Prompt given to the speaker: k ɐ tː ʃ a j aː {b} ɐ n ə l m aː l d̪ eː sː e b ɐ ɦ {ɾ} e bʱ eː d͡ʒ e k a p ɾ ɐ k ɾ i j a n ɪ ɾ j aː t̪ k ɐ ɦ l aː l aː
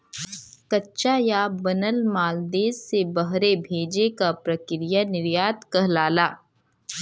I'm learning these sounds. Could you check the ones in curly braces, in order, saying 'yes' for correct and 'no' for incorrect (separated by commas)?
yes, yes